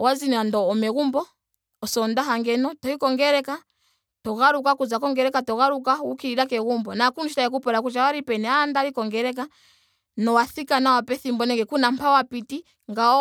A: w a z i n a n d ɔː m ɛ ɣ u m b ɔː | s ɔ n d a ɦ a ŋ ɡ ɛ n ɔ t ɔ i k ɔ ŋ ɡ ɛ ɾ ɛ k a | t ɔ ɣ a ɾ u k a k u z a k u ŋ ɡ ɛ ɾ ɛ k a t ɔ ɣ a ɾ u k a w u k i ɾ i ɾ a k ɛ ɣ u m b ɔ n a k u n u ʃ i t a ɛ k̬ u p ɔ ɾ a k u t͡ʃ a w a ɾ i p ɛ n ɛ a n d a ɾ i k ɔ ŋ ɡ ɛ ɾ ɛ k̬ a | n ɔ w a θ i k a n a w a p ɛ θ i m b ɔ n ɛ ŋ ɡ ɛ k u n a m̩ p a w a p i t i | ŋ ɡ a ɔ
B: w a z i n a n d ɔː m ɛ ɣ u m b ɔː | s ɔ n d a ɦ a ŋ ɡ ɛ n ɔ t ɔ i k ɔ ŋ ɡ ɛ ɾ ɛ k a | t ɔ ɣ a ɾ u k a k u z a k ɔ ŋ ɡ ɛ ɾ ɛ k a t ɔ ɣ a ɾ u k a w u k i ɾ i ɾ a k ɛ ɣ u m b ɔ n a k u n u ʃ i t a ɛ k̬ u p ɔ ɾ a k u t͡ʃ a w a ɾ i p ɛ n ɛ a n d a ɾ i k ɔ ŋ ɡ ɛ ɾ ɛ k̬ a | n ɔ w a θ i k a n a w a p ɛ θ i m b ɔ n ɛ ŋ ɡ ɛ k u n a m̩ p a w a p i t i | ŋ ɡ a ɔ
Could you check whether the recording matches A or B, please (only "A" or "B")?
B